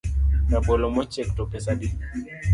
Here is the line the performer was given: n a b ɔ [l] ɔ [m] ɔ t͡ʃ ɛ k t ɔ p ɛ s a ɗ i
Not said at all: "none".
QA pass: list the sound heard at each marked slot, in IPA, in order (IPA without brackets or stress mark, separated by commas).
l, m